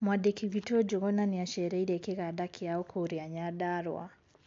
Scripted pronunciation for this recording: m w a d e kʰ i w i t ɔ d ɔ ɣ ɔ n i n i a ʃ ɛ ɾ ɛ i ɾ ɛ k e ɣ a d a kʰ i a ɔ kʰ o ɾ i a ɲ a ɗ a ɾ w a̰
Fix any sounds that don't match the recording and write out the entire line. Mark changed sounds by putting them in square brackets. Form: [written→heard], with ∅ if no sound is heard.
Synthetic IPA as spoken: m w a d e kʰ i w i t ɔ [d→d͡ʒ] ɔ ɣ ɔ n [i→a] n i a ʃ ɛ ɾ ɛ i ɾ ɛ k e ɣ a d a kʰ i a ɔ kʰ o ɾ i a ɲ a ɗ a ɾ w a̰